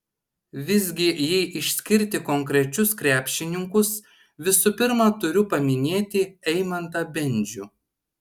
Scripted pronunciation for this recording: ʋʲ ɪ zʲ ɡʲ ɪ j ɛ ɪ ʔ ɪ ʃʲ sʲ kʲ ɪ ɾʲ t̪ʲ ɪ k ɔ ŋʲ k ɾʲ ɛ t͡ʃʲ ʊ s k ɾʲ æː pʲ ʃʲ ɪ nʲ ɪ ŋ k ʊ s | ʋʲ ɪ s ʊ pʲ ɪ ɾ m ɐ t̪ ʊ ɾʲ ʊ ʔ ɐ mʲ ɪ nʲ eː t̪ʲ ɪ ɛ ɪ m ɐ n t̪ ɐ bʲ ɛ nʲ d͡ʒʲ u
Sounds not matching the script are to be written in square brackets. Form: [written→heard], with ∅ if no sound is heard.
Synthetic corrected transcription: ʋʲ ɪ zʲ ɡʲ ɪ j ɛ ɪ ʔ ɪ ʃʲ sʲ kʲ ɪ ɾʲ t̪ʲ ɪ k ɔ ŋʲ k ɾʲ ɛ t͡ʃʲ ʊ s k ɾʲ æː pʲ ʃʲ ɪ nʲ ɪ ŋ k ʊ s | ʋʲ ɪ s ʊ pʲ ɪ ɾ m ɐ t̪ ʊ ɾʲ ʊ [ʔ→p] ɐ mʲ ɪ nʲ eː t̪ʲ ɪ ɛ ɪ m ɐ n t̪ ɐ bʲ ɛ nʲ d͡ʒʲ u